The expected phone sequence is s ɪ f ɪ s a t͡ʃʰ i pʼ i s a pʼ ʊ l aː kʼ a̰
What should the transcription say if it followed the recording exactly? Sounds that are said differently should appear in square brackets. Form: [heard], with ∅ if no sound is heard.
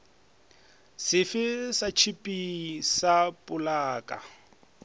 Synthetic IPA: s ɪ f ɪ s a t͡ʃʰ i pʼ i s a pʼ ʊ l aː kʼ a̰